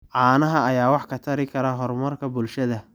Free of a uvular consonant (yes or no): yes